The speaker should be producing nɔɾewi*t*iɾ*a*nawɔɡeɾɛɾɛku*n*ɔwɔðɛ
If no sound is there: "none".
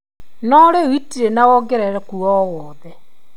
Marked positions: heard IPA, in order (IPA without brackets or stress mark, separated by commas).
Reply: t, e, none